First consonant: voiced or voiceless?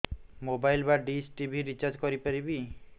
voiced